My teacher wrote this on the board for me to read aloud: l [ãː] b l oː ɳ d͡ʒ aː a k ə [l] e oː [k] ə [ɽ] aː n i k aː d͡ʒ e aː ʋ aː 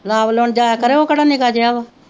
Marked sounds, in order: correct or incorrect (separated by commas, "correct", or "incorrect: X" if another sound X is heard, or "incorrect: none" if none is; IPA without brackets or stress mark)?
incorrect: aː, incorrect: ɾ, correct, correct